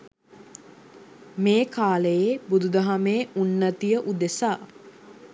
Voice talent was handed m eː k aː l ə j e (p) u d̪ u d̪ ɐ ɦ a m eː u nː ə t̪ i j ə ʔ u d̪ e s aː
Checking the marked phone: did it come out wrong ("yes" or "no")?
yes